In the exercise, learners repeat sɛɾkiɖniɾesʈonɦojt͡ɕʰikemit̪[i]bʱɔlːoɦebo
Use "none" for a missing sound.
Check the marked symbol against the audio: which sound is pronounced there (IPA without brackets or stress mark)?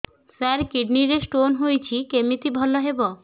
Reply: i